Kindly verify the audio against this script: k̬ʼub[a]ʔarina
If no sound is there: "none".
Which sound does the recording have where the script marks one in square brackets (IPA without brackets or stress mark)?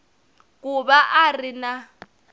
a